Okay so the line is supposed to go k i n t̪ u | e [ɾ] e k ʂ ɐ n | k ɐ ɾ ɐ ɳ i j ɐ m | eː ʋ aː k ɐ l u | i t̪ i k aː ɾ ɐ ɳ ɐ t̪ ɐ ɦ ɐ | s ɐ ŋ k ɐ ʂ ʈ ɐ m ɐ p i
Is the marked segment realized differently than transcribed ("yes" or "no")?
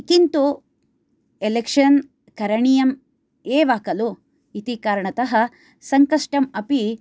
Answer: yes